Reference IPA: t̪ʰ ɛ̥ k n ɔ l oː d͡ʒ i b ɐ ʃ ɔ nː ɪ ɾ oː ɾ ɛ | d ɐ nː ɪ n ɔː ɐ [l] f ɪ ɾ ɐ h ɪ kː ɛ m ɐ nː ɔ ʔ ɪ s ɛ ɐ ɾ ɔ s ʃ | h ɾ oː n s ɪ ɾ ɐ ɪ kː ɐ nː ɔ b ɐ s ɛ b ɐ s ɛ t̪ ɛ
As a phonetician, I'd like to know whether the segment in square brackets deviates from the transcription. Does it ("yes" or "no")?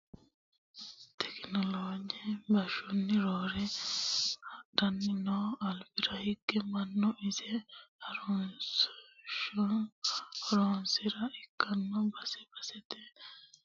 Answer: no